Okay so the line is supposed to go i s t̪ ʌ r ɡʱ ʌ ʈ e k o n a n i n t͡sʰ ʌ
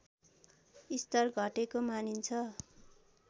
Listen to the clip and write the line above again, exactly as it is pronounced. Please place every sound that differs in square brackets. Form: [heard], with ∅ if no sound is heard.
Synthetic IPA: i s t̪ ʌ r ɡʱ ʌ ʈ e k o [m] a n i n t͡sʰ ʌ

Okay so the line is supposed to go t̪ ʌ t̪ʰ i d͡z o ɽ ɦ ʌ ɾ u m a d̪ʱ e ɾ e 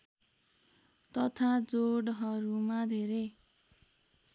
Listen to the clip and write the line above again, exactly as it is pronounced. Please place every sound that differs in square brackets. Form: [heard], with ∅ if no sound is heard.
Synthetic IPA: t̪ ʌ t̪ʰ [a] d͡z o ɽ ɦ ʌ ɾ u m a d̪ʱ e ɾ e

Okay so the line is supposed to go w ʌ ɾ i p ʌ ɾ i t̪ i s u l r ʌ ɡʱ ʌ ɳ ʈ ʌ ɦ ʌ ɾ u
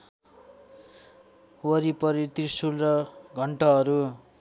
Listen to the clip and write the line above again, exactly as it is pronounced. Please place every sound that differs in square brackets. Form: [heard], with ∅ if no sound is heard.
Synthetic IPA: w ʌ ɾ i p ʌ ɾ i t̪ i s u l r ʌ ɡʱ ʌ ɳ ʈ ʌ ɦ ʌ ɾ u

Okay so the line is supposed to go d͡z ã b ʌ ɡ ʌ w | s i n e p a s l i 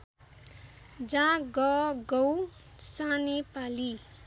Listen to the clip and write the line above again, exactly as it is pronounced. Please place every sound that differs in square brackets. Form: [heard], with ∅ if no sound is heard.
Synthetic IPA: d͡z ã [ɡ] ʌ ɡ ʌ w | s [a] n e p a [∅] l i

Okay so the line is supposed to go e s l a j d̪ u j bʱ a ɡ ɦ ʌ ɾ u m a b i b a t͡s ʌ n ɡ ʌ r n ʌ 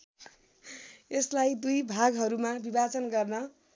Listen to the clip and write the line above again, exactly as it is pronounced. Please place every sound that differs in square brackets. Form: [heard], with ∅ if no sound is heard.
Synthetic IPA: e s l a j d̪ u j bʱ a ɡ ɦ ʌ ɾ u m a b i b a t͡s ʌ n ɡ ʌ r n ʌ

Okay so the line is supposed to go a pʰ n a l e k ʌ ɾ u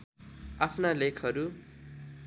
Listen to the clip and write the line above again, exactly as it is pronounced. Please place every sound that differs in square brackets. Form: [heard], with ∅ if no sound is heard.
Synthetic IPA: a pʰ n a l e [kʰ] ʌ ɾ u

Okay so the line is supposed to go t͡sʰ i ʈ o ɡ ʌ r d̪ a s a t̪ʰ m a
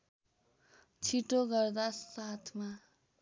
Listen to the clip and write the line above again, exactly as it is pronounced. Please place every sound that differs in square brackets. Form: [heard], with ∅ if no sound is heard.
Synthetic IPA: t͡sʰ i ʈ o ɡ ʌ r d̪ a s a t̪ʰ m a

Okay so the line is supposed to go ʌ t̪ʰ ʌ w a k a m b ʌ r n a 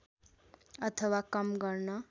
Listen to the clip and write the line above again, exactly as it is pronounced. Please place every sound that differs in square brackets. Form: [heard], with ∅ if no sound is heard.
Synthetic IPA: ʌ t̪ʰ ʌ w a k [ʌ] m [ɡ] ʌ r n [ʌ]

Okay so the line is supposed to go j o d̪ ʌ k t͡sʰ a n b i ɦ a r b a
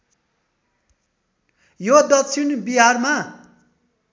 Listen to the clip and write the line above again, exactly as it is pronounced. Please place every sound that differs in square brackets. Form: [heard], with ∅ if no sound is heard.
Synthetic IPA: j o d̪ ʌ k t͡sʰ [i] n b i ɦ a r [m] a

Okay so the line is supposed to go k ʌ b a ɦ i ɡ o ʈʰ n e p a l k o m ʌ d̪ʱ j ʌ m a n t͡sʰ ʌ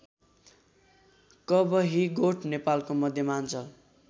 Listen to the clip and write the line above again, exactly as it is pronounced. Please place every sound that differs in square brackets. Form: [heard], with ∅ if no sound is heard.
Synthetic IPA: k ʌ b [ʌ] ɦ i ɡ o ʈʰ n e p a l k o m ʌ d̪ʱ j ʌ m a n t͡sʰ ʌ

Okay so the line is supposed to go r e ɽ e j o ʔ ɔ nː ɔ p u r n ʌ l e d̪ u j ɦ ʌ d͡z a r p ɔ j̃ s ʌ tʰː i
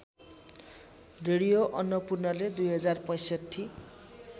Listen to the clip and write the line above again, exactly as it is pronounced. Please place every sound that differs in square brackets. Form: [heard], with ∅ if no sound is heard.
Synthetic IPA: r e ɽ [i] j o ʔ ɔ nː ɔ p u r n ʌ l e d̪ u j ɦ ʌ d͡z a r p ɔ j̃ s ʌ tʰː i

